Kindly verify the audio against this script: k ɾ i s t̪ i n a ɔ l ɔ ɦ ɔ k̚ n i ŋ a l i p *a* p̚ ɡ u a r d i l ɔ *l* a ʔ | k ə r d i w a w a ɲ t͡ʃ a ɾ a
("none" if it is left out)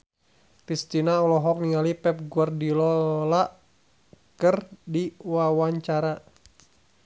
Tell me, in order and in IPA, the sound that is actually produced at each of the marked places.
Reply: ɛ, l

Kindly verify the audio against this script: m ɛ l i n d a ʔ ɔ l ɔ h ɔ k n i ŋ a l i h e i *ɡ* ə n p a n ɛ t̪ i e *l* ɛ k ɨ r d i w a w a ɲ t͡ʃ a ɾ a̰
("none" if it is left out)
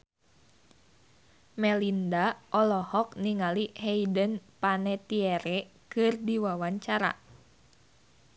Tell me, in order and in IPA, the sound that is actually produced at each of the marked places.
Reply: d, ɾ

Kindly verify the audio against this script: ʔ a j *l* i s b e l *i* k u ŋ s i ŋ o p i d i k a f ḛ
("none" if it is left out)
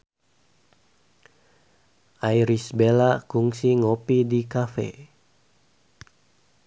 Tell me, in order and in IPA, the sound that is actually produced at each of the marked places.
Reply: ɾ, a

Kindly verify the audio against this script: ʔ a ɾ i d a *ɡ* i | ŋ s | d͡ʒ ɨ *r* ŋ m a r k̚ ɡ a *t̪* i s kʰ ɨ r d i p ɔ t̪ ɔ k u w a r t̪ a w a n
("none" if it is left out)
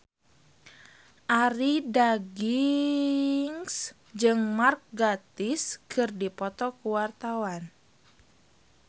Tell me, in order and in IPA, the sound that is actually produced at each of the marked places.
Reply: ɡ, none, t̪

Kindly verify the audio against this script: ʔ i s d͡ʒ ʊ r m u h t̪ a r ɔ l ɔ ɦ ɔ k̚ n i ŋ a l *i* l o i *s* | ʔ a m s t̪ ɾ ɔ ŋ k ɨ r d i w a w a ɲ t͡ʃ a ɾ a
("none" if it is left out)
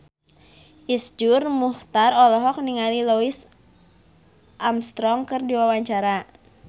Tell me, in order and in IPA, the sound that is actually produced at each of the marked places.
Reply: i, s

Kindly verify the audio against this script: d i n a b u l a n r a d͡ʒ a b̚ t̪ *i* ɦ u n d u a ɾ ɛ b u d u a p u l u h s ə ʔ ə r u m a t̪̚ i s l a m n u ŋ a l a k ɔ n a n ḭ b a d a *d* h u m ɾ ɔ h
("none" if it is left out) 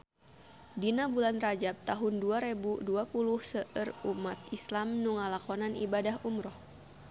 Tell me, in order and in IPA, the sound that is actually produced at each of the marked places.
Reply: a, none

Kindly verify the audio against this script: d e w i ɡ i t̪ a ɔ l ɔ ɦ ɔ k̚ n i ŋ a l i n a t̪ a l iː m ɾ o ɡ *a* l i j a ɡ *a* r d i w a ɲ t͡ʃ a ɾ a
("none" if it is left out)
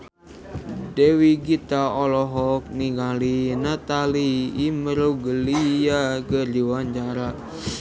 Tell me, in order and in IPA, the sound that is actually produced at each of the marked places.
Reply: ə, ə

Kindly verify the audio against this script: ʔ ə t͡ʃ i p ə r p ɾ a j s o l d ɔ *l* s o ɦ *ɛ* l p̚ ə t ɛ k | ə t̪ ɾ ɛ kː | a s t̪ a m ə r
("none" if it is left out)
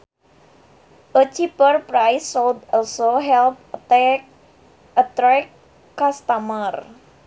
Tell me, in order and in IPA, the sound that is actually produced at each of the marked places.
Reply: l, ɛ

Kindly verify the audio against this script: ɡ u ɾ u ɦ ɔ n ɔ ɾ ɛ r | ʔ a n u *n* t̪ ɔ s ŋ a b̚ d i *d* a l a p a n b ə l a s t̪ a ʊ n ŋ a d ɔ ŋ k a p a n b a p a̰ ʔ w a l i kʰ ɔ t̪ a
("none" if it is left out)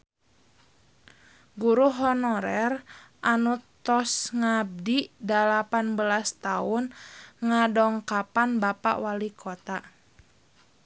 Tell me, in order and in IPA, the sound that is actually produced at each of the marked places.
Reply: none, d

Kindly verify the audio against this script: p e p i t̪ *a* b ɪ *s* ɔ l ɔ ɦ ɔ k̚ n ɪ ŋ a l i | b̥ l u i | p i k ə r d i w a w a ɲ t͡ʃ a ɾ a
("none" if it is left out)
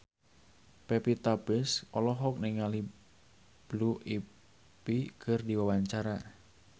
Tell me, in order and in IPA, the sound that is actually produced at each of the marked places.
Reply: a, s

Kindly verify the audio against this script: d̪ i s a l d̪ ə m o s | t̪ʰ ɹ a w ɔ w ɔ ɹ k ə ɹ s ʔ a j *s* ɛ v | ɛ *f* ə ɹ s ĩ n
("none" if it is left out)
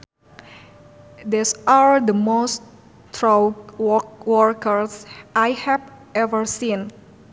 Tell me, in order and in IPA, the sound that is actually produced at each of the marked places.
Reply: h, v

